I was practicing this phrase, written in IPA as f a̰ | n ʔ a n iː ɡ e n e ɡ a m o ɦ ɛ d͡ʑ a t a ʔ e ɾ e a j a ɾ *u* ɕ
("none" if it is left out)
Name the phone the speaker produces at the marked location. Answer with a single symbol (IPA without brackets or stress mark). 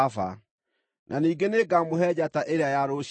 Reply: o